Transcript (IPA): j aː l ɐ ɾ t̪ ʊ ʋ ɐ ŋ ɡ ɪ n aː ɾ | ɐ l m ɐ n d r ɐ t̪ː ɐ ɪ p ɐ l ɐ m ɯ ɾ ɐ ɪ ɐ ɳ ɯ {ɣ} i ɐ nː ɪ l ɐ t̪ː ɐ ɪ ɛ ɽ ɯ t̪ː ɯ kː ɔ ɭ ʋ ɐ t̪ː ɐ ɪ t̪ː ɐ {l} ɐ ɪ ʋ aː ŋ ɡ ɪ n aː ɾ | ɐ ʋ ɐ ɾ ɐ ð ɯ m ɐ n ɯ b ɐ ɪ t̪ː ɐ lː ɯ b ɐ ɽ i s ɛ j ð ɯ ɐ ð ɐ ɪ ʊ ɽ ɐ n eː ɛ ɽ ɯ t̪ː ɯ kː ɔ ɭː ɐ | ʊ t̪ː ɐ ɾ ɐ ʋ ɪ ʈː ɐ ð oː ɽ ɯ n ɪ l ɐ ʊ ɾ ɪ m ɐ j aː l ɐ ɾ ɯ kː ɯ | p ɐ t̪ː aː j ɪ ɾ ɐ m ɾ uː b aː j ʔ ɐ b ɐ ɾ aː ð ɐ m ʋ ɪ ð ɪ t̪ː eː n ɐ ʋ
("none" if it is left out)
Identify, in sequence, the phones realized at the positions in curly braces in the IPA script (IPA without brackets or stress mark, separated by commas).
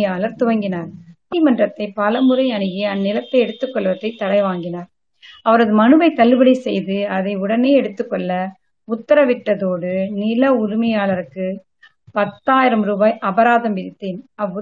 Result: ɣ, ɽ